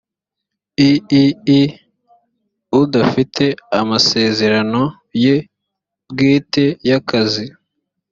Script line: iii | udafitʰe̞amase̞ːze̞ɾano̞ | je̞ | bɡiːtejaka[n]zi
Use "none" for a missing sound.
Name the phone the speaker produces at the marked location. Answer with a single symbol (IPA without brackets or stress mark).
none